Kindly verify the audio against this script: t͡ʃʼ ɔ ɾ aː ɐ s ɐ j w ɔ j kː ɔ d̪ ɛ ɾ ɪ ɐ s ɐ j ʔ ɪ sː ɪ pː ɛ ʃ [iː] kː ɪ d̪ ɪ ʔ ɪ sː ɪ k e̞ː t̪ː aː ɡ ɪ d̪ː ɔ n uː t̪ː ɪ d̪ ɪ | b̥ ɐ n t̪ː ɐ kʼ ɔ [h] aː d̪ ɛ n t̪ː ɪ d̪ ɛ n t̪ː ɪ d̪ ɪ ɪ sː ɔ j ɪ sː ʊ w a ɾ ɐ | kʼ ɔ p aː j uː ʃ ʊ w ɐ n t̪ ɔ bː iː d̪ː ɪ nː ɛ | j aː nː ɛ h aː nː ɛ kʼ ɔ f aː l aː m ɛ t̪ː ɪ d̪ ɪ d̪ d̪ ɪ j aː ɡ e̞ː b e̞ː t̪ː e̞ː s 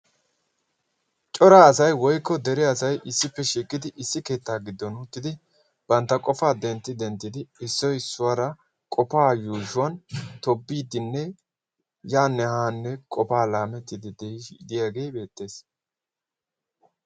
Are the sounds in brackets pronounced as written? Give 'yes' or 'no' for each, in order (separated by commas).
yes, no